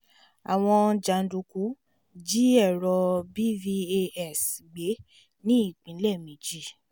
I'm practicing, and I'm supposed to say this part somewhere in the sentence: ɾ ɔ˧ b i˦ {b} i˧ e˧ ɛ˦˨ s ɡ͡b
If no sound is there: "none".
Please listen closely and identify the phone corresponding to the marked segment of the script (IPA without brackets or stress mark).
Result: v